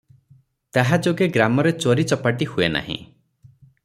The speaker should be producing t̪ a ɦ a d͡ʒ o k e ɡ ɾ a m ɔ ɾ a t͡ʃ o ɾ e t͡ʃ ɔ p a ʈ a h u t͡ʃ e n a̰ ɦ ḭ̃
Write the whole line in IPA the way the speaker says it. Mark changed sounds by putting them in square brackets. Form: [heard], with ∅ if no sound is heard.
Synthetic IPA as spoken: t̪ a ɦ a d͡ʒ o [ɡ] e ɡ ɾ a m ɔ ɾ [e] t͡ʃ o ɾ [i] t͡ʃ ɔ p a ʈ [i] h u [∅] e n a̰ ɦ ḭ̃